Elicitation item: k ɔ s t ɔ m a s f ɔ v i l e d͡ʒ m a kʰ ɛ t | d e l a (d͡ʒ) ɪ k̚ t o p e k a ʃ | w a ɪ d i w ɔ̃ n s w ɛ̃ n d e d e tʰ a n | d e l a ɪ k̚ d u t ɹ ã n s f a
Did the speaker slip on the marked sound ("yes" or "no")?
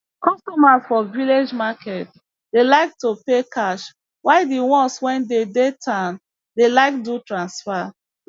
yes